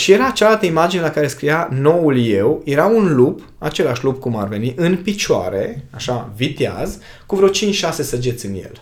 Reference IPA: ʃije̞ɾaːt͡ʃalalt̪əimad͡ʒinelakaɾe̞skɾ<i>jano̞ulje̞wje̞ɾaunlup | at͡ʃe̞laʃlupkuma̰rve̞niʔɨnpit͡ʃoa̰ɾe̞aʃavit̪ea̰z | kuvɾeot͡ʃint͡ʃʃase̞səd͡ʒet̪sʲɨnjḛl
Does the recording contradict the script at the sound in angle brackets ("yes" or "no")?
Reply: no